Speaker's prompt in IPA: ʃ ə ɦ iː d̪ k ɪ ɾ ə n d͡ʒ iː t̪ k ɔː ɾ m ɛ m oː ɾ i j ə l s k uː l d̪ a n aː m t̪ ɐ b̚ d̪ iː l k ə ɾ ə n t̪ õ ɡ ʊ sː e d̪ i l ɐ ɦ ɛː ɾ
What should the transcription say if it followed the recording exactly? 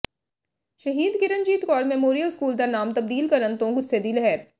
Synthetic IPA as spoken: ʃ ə ɦ iː d̪ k ɪ ɾ ə n d͡ʒ iː t̪ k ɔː ɾ m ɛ m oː ɾ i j ə l s k uː l d̪ a n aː m t̪ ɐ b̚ d̪ iː l k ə ɾ ə n t̪ õ ɡ ʊ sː e d̪ i l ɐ ɦ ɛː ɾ